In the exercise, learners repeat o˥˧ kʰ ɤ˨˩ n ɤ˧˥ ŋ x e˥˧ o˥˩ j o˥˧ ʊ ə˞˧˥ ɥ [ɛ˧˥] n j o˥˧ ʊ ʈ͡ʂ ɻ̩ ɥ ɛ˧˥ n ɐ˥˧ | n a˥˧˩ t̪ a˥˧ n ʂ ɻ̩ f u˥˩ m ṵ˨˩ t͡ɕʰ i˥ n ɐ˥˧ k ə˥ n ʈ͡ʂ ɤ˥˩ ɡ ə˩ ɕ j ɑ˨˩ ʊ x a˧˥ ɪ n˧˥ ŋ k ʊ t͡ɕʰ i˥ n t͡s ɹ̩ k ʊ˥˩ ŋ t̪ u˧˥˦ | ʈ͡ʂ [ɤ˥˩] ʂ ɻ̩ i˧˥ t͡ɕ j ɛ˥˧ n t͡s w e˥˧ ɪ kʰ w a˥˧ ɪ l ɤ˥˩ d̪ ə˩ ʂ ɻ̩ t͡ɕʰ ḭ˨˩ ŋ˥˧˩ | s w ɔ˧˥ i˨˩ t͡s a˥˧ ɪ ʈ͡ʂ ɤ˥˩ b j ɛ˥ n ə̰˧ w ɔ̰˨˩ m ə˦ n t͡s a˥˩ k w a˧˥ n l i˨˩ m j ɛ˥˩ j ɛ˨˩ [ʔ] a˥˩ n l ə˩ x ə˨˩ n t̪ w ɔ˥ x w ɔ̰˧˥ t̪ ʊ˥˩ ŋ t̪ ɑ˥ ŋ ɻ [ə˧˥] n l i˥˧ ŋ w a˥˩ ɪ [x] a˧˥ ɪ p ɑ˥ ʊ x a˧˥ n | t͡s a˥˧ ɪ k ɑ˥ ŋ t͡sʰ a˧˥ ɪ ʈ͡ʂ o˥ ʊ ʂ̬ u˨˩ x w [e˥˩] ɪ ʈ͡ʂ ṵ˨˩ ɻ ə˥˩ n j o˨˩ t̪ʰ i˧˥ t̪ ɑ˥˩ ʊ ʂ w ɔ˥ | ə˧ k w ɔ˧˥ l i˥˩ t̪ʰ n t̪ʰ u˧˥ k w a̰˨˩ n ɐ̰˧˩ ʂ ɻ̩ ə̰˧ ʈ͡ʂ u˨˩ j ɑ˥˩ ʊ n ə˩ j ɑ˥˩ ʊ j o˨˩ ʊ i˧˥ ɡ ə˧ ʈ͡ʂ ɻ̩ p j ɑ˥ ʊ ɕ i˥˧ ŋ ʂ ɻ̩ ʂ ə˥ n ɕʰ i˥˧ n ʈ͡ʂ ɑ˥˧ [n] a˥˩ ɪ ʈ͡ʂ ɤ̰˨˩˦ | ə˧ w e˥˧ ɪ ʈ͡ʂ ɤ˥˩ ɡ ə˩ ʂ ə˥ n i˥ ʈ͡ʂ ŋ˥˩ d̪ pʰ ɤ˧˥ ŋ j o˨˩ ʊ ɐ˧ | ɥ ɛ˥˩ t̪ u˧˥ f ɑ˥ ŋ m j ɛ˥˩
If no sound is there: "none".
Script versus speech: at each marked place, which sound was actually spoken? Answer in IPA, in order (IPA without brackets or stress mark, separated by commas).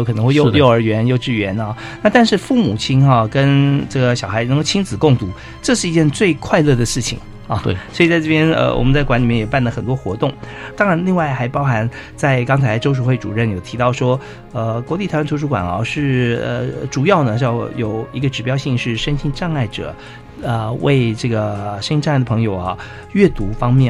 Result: ɛ˧˥, ɤ˥˧, p, a˧˥, x, e˥˩, ŋ